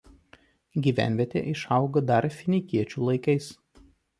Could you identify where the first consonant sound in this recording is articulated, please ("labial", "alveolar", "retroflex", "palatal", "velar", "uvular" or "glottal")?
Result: velar